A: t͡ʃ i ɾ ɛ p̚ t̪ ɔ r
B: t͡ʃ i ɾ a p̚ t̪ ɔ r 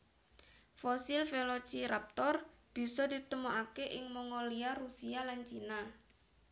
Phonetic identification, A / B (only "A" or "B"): B